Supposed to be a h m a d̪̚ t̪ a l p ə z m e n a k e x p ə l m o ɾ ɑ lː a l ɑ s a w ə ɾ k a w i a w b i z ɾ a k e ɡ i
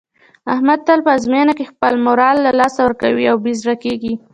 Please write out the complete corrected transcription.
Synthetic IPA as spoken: a h m a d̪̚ t̪ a l p ə z m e n a k e x p ə l m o ɾ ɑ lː a l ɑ s a w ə ɾ k a w i a w b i z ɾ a k e ɡ i